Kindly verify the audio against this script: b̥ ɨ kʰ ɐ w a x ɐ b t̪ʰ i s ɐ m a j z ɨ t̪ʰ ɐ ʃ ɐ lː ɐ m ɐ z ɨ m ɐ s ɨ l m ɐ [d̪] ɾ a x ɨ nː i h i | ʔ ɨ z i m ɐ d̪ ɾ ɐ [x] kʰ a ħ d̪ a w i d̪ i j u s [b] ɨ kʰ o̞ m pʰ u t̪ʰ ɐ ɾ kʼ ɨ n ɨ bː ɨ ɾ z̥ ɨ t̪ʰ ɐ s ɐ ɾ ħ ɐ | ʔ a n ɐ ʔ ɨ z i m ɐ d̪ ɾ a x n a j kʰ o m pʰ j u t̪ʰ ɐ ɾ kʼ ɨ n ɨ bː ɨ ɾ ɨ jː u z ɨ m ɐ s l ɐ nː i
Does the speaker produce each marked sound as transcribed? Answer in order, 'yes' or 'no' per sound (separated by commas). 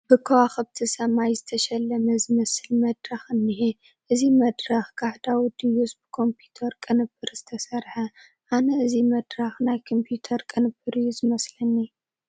yes, yes, yes